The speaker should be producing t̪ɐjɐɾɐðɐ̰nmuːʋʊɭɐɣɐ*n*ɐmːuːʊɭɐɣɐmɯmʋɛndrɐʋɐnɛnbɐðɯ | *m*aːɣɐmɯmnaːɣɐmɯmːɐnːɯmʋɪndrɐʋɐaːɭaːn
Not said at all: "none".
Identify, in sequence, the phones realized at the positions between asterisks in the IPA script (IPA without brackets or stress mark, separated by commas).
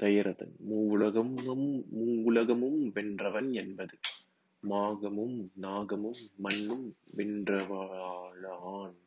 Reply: m, m